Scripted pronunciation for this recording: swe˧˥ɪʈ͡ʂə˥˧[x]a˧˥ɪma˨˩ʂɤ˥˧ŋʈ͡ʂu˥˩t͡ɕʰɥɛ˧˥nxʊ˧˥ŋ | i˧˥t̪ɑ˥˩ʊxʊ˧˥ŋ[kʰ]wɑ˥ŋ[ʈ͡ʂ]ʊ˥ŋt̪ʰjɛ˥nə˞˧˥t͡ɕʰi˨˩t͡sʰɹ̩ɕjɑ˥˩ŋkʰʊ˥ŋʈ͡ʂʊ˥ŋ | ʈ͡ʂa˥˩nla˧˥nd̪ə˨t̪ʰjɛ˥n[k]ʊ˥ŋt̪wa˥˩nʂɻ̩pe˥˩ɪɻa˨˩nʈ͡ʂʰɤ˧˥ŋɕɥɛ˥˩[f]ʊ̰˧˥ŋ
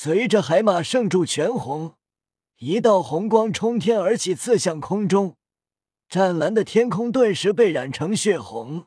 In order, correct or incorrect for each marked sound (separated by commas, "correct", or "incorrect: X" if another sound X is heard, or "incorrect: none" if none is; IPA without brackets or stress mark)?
correct, incorrect: k, incorrect: ʈ͡ʂʰ, incorrect: kʰ, incorrect: x